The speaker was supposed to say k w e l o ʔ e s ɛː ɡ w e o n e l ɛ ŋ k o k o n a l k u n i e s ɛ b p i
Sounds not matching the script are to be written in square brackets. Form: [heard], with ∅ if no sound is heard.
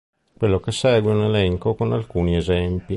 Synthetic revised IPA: k w e [lː] o [k] e s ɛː ɡ w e [u] n e l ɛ ŋ k o k o n a l k [uː] n i e [z] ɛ [m] p i